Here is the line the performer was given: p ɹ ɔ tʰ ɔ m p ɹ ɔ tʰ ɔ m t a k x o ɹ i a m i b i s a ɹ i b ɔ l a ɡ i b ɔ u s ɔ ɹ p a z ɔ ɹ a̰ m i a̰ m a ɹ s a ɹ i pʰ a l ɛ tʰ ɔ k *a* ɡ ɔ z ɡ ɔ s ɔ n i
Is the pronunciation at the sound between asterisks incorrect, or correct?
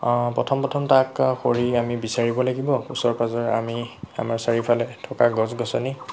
correct